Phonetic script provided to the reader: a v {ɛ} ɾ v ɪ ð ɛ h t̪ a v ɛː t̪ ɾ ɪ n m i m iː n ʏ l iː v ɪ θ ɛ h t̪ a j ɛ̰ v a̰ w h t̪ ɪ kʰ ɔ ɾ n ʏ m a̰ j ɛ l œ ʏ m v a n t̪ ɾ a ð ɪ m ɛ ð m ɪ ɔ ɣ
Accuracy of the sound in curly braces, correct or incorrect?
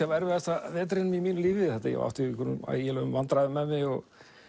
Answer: correct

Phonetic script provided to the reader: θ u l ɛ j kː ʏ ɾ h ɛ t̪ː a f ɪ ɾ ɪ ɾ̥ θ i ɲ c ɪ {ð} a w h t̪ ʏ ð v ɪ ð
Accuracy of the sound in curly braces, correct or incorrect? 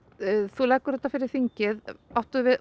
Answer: correct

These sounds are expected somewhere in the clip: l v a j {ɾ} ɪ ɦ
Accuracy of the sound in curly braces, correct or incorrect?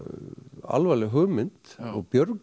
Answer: incorrect: l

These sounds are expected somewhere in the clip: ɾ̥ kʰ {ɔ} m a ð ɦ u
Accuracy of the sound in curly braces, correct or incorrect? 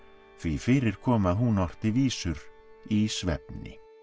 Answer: incorrect: ɔː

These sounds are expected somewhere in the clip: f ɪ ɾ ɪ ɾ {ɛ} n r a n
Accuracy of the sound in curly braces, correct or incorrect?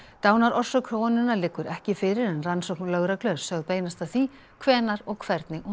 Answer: correct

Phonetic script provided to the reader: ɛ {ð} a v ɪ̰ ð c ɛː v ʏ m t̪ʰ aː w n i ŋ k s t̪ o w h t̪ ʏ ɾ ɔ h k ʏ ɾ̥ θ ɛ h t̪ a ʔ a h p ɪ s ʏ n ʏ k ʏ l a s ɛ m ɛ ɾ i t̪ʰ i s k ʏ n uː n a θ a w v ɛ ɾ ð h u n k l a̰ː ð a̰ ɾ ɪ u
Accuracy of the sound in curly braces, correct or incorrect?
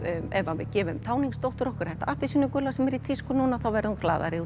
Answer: incorrect: v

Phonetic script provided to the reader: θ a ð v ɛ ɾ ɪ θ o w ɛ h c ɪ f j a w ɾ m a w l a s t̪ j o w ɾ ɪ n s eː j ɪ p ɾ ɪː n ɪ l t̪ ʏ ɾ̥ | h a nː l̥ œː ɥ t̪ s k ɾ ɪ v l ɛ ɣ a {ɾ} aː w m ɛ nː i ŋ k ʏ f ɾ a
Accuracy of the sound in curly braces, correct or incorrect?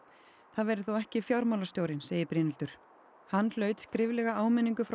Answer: incorrect: none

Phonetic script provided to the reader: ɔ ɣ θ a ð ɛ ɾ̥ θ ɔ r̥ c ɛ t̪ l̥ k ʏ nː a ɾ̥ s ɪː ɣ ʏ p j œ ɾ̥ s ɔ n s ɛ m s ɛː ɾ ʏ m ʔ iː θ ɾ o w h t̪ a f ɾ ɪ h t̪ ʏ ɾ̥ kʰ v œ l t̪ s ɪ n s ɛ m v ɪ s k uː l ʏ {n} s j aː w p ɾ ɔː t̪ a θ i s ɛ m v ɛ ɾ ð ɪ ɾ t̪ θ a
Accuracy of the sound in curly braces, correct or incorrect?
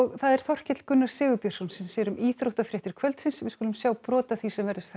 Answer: incorrect: m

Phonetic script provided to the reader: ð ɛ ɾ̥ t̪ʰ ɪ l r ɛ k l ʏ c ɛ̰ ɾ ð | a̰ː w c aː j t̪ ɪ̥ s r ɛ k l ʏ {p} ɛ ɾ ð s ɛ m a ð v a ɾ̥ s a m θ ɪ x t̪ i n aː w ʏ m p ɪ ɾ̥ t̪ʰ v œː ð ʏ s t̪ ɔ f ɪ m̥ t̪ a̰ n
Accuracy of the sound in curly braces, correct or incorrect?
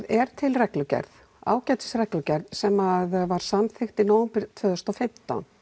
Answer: incorrect: c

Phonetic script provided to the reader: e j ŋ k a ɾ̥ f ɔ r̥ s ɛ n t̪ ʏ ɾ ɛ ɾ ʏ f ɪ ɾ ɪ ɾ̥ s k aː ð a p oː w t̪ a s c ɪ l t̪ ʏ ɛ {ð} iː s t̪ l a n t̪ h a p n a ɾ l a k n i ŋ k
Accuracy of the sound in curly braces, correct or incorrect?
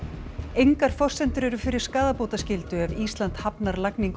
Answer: incorrect: v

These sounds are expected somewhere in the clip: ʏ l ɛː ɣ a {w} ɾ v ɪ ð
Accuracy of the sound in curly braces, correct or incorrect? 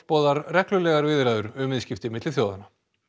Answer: incorrect: none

